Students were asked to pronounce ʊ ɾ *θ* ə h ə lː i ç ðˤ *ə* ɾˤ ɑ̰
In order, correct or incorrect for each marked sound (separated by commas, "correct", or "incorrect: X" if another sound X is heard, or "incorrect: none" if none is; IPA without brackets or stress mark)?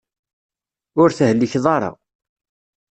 correct, incorrect: ɑ